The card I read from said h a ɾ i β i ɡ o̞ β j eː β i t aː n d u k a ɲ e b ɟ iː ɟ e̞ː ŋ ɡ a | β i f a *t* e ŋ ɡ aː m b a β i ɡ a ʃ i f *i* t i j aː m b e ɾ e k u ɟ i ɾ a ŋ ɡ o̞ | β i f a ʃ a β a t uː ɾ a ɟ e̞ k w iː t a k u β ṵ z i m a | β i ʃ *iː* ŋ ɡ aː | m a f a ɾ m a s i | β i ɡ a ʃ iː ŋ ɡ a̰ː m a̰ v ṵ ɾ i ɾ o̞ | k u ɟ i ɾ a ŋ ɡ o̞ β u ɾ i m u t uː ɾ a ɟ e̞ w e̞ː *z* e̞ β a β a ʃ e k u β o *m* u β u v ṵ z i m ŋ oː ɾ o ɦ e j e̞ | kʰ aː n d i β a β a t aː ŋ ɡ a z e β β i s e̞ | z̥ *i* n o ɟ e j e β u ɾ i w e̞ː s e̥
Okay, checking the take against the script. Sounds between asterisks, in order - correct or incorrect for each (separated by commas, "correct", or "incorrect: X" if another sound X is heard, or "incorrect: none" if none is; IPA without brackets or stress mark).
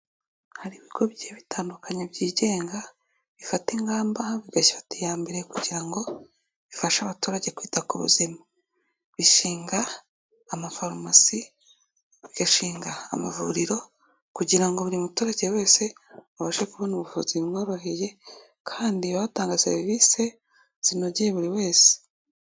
correct, incorrect: a, correct, incorrect: s, incorrect: n, correct